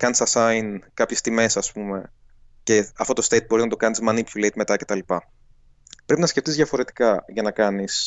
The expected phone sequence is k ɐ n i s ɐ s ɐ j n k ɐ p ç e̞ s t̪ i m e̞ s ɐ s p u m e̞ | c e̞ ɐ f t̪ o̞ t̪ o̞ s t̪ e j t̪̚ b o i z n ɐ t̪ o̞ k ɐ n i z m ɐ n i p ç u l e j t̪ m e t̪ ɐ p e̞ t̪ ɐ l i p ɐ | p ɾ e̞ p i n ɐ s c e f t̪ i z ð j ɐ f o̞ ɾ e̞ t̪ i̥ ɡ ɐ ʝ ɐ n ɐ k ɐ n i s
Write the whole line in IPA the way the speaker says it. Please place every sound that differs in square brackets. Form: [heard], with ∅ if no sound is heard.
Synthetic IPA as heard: k ɐ n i s ɐ s ɐ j n k ɐ p ç e̞ s t̪ i m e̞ s ɐ s p u m e̞ | c e̞ ɐ f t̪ o̞ t̪ o̞ s t̪ e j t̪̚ b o i z n ɐ t̪ o̞ k ɐ n i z m ɐ n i p ç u l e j t̪ m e t̪ ɐ [c] e̞ t̪ ɐ l i p ɐ | p ɾ e̞ p i n ɐ s c e f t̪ i z ð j ɐ f o̞ ɾ e̞ t̪ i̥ [k] ɐ ʝ ɐ n ɐ k ɐ n i s